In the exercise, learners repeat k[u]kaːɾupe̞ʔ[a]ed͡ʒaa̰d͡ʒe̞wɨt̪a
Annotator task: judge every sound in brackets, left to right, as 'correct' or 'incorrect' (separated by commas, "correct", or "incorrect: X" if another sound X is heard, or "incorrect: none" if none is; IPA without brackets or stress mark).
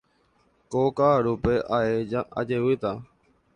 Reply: incorrect: o, correct